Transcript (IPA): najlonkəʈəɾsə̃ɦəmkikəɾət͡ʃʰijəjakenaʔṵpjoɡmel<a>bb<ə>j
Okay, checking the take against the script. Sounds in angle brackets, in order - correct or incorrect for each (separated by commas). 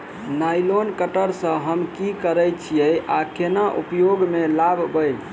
correct, correct